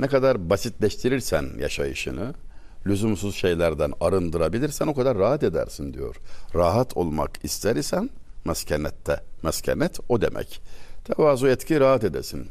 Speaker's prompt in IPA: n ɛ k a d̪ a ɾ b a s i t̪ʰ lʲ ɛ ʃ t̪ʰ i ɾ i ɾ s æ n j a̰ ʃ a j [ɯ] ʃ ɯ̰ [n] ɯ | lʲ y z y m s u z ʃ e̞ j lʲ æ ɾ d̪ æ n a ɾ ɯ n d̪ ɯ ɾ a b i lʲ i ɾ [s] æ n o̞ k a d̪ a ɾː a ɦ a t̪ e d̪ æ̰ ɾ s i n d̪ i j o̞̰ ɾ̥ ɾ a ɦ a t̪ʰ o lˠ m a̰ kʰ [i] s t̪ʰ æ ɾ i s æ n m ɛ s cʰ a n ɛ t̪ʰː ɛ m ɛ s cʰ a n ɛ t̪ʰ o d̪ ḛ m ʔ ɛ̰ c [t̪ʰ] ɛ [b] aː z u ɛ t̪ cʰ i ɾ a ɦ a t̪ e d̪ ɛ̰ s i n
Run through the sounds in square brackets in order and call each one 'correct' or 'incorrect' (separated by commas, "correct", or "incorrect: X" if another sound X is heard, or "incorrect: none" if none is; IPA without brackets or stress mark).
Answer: correct, correct, correct, correct, correct, incorrect: v